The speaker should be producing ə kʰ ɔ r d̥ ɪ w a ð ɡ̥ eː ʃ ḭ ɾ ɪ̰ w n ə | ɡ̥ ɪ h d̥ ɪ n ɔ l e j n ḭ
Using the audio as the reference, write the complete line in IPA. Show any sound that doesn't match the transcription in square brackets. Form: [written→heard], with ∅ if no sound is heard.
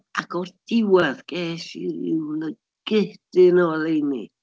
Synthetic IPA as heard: [ə→a] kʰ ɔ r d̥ ɪ w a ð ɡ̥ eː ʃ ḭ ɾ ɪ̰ w n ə | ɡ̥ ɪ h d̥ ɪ n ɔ l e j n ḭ